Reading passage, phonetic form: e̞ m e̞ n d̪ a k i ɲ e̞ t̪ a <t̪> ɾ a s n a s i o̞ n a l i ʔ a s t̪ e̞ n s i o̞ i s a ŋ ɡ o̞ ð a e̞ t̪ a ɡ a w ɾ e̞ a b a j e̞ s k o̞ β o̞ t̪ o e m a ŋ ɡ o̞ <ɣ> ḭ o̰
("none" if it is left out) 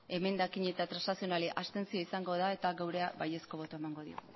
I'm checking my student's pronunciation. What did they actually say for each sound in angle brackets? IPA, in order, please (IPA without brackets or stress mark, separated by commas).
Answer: t̪, ð